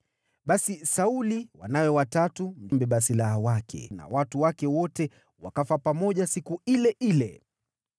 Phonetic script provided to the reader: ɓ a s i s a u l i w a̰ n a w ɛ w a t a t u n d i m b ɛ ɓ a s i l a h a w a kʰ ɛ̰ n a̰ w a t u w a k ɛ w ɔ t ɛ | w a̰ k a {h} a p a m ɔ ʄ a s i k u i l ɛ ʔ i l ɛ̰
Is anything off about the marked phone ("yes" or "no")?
yes